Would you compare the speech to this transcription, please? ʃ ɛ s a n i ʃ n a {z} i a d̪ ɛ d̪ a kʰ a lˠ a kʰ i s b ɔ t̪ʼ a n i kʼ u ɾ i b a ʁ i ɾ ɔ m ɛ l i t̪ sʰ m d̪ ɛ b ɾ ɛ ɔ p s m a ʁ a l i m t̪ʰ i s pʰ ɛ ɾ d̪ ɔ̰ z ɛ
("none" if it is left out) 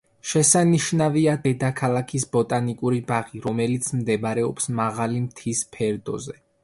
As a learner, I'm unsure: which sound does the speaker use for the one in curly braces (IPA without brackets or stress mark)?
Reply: v